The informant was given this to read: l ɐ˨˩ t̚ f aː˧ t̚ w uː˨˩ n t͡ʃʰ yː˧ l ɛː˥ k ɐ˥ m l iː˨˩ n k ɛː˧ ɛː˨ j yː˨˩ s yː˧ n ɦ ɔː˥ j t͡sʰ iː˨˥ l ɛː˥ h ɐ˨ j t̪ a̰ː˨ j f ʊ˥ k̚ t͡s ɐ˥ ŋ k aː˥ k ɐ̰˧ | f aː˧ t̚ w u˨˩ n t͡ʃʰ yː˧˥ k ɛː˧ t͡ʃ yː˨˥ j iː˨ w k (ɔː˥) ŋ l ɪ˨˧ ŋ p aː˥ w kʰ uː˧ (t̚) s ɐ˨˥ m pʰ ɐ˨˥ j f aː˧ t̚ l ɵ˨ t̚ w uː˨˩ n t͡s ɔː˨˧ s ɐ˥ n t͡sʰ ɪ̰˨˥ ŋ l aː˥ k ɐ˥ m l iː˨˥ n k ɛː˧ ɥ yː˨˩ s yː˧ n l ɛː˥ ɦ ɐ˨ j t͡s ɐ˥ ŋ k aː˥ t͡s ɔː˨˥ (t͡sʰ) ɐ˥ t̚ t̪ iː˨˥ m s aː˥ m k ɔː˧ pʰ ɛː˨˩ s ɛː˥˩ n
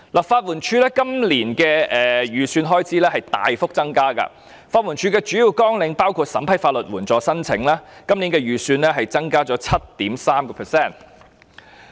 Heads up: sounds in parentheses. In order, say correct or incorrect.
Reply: correct, correct, correct

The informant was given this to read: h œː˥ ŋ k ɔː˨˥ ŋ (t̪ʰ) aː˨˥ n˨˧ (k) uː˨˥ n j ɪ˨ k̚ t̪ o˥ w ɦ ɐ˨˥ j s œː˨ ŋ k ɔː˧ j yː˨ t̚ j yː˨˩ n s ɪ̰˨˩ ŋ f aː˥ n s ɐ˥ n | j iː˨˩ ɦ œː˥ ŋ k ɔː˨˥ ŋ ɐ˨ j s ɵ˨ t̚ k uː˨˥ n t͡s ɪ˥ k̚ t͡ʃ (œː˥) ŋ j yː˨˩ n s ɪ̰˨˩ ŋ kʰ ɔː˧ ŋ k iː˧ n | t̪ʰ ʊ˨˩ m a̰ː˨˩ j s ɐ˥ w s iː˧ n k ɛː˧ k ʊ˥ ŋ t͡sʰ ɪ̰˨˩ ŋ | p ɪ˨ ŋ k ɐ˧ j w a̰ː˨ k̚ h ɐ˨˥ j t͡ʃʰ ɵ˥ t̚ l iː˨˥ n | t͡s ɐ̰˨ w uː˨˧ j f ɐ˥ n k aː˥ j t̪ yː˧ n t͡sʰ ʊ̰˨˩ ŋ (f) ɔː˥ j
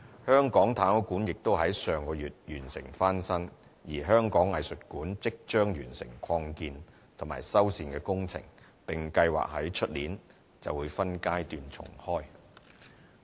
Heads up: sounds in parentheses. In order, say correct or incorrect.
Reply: correct, correct, correct, incorrect: h

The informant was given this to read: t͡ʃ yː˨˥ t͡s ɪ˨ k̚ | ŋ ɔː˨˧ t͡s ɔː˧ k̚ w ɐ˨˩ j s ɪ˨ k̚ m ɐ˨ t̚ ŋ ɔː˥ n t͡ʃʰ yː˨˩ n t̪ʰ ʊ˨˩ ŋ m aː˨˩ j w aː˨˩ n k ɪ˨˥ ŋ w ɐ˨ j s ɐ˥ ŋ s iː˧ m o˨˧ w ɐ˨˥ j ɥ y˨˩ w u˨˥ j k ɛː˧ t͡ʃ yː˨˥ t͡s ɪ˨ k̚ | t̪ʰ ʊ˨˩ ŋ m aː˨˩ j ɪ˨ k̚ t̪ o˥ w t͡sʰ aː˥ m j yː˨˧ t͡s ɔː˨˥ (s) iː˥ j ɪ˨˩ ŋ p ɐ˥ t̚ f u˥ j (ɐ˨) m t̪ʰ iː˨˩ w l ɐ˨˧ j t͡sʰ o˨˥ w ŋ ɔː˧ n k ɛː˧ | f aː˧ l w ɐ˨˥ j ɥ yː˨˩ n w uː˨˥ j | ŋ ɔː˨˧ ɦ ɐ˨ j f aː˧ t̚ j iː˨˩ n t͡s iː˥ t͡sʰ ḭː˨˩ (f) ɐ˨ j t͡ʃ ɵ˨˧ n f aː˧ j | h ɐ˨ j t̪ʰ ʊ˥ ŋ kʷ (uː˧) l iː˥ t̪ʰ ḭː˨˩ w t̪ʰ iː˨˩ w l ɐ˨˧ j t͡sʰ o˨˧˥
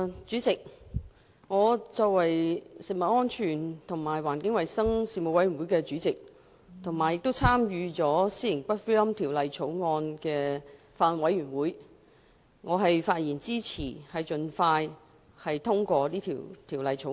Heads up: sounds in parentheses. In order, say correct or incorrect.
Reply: correct, incorrect: ɐ˥, incorrect: h, incorrect: ɔː˧

